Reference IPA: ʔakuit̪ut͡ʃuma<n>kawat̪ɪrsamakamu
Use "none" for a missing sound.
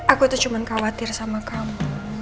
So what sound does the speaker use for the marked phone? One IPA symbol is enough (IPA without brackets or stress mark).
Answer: n